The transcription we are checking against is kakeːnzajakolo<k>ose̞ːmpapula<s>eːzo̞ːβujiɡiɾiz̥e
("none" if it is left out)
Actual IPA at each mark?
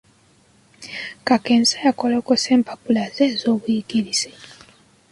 k, z

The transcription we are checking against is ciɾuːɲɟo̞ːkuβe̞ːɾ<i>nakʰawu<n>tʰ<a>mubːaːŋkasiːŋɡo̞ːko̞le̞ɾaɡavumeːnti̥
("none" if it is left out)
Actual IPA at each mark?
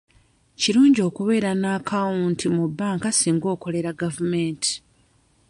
a, n, i

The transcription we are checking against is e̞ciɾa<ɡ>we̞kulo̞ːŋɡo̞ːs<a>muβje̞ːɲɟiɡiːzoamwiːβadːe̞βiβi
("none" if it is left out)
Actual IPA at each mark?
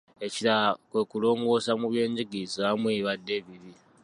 k, a

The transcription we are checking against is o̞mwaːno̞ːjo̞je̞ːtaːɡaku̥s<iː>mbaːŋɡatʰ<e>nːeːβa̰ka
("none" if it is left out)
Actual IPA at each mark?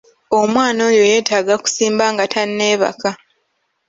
iː, a

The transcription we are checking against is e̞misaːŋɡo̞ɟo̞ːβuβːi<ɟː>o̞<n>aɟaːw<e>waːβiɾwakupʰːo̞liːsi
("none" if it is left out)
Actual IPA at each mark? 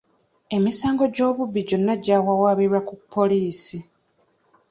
ɟ, nː, a

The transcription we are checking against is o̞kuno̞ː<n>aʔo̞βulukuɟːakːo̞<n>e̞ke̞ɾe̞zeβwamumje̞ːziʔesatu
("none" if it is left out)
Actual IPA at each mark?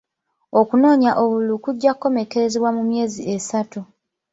ɲ, m

